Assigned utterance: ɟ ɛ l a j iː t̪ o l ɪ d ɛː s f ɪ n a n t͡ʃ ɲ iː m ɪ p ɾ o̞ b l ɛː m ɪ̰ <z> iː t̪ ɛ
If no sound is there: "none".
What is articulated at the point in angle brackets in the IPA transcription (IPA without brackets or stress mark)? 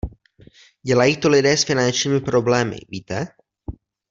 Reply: v